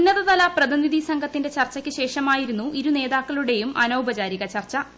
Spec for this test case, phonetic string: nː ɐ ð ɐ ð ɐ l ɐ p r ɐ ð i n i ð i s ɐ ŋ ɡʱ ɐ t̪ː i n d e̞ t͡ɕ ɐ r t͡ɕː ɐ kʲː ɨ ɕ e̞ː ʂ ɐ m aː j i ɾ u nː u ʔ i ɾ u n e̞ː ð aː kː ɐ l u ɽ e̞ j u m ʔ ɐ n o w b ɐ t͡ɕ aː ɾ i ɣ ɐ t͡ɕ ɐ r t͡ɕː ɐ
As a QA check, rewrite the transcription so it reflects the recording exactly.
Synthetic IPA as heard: nː ɐ ð ɐ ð ɐ l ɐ p r ɐ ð i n i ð i s ɐ ŋ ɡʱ ɐ t̪ː i n d e̞ t͡ɕ ɐ r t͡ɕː ɐ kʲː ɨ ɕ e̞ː ʂ ɐ m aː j i ɾ u nː u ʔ i ɾ u n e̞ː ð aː kː ɐ ɭ u ɽ e̞ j u m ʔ ɐ n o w b ɐ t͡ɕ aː ɾ i ɣ ɐ t͡ɕ ɐ r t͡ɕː ɐ